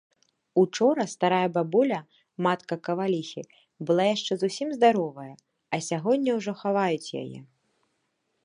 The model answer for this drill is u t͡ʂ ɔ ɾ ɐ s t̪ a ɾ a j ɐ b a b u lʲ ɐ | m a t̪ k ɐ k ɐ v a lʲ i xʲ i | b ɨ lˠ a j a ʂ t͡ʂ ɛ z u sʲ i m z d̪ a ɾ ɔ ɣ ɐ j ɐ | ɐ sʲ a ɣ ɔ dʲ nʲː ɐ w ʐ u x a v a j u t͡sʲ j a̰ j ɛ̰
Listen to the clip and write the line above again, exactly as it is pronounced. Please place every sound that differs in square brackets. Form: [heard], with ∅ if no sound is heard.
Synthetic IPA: u t͡ʂ ɔ ɾ ɐ s t̪ a ɾ a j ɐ b a b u lʲ ɐ | m a t̪ k ɐ k ɐ v a lʲ i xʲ i | b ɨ lˠ a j a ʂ t͡ʂ ɛ z u sʲ i m z d̪ a ɾ ɔ [v] ɐ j ɐ | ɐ sʲ a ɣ ɔ dʲ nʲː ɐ w ʐ [ɔ] x a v a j u t͡sʲ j a̰ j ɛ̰